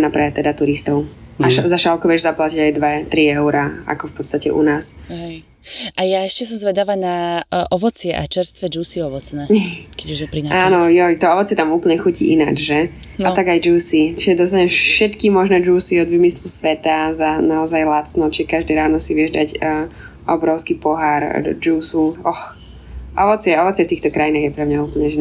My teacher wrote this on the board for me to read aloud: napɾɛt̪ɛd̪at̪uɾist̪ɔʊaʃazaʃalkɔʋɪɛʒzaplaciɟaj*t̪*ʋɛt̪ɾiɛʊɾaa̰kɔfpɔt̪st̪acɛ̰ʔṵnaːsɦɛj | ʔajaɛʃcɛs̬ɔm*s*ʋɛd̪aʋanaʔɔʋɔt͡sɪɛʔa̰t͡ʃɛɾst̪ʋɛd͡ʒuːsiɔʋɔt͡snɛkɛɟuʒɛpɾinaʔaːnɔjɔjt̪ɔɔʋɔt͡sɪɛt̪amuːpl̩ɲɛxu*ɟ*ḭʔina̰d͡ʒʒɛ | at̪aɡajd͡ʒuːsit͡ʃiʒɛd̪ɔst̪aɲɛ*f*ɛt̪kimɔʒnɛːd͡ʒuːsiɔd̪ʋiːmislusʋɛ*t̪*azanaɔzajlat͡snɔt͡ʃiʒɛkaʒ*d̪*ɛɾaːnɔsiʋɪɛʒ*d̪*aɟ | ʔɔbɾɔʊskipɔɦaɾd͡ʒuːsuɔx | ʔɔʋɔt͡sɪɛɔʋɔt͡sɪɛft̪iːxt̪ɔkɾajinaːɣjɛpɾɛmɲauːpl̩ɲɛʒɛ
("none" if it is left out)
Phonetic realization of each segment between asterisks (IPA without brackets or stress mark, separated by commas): d̪, z, c, ʃ, t̪, d̪, d̪